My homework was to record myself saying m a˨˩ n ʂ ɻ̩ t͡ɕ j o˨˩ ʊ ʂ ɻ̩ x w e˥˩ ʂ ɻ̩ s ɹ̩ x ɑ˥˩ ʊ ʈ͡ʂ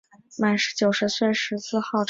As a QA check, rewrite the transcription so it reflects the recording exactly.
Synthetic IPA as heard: m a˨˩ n ʂ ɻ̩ t͡ɕ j o˨˩ ʊ ʂ ɻ̩ s w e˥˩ ʂ ɻ̩ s ɹ̩ x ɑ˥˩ ʊ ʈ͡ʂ